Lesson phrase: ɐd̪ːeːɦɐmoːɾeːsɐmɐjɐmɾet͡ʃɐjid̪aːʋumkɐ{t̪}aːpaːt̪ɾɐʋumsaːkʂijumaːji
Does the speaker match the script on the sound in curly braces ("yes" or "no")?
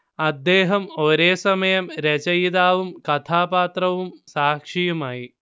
no